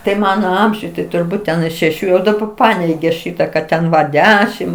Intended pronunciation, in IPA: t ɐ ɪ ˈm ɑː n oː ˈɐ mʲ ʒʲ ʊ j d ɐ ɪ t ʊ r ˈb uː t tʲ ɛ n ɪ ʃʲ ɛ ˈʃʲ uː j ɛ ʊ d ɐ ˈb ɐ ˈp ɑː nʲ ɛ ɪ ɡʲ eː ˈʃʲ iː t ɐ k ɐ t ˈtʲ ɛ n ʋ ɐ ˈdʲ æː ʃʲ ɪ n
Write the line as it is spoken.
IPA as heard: t ɐ ɪ ˈm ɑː n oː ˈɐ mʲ ʒʲ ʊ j t ɐ ɪ t ʊ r ˈb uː t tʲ ɛ n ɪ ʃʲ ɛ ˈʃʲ uː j ɛ ʊ d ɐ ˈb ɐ ˈp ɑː nʲ ɛ ɪ ɡʲ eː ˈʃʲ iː t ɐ k ɐ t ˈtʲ ɛ n ʋ ɐ ˈdʲ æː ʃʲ ɪ m

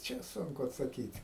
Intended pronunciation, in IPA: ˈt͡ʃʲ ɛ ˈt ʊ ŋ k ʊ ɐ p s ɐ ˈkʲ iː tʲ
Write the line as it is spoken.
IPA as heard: ˈt͡ʃʲ ɛ ˈs ʊ ŋ k ʊ ɐ t s ɐ ˈkʲ iː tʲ

